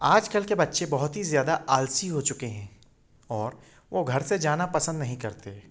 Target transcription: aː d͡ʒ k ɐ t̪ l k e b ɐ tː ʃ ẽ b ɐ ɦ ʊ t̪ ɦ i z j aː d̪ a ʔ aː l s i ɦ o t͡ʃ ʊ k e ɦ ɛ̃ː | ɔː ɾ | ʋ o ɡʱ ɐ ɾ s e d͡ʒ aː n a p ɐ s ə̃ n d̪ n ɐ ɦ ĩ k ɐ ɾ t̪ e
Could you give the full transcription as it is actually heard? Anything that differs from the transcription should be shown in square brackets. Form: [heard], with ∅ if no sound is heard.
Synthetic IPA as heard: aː d͡ʒ k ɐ [∅] l k e b ɐ tː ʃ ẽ b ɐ ɦ ʊ t̪ ɦ i z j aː d̪ a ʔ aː l s i ɦ o t͡ʃ ʊ k e ɦ ɛ̃ː | ɔː ɾ | ʋ o ɡʱ ɐ ɾ s e d͡ʒ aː n a p ɐ s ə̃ n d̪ n ɐ ɦ ĩ k ɐ ɾ t̪ e